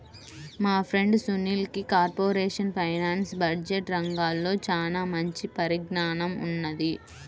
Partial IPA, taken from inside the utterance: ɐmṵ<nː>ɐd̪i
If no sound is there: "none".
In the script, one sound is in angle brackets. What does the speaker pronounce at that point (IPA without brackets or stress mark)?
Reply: nː